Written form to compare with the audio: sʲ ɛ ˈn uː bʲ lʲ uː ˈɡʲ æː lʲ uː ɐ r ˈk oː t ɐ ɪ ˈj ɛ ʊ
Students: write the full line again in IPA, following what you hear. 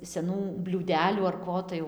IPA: sʲ ɛ ˈn uː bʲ lʲ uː ˈdʲ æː lʲ uː ɐ r ˈk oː t ɐ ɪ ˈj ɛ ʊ